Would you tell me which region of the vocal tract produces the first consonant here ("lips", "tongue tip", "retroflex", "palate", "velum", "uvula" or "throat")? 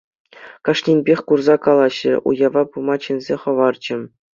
velum